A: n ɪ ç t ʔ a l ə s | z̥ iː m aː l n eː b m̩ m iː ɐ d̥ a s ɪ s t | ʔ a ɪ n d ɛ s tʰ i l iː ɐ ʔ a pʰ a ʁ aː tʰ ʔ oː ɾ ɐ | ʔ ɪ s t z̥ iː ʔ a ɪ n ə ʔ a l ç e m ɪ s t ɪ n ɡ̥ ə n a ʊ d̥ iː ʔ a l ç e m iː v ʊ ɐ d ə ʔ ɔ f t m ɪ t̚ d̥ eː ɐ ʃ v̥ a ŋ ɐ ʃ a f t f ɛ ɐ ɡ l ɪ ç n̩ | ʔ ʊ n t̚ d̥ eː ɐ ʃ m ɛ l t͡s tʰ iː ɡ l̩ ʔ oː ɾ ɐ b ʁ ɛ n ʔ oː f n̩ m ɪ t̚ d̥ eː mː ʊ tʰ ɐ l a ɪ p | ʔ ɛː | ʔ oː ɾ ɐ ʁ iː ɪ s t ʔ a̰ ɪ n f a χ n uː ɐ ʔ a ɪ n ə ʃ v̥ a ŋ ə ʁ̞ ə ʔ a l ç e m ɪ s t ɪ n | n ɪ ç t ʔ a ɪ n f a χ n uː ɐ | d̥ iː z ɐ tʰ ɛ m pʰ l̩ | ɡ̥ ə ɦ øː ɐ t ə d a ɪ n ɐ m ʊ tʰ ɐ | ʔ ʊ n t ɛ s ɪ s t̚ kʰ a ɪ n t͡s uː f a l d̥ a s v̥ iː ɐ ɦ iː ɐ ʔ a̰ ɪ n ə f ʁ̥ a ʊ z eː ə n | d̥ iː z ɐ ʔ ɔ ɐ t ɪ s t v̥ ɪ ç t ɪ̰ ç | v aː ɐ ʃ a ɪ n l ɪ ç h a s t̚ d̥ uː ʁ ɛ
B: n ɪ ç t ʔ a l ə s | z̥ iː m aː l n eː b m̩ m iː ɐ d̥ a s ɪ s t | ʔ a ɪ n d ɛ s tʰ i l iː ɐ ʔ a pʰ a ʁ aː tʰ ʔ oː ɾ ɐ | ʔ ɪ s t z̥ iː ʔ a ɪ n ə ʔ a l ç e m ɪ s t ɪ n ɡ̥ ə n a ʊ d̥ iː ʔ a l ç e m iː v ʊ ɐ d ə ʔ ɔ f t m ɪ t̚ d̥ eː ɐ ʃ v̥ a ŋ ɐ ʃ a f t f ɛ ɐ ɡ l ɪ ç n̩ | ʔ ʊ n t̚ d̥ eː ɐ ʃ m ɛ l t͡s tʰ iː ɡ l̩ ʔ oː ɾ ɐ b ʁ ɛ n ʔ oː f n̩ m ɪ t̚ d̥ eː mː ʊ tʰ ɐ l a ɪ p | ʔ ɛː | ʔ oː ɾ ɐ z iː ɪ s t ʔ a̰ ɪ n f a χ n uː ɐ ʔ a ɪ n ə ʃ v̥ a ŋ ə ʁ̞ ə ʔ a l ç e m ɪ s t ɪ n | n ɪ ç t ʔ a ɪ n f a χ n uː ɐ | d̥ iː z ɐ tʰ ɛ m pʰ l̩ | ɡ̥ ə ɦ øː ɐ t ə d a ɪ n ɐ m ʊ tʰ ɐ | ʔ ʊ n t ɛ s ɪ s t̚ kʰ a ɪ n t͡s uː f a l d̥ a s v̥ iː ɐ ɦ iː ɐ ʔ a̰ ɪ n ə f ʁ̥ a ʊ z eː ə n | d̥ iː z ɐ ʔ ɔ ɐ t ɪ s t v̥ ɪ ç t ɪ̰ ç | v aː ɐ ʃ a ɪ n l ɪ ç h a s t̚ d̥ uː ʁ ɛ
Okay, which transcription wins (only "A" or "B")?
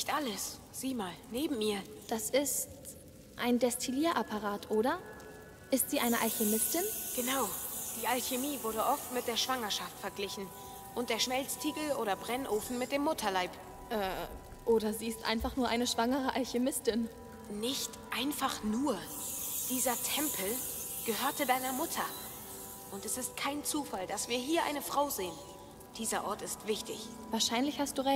B